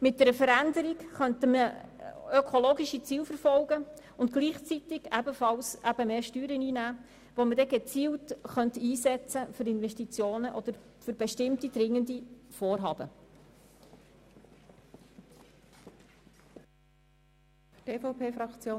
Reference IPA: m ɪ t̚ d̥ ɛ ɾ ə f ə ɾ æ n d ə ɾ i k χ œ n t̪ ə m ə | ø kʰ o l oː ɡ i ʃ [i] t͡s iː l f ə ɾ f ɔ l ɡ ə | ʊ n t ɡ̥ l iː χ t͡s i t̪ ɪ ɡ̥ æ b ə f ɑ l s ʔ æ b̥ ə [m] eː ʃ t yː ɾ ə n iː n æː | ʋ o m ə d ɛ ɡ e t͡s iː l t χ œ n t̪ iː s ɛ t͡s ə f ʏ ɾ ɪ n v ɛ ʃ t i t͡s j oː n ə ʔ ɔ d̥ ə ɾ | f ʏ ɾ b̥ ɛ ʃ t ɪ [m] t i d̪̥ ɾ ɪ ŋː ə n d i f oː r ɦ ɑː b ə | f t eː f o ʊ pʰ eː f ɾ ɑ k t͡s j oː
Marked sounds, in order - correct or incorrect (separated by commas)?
correct, correct, correct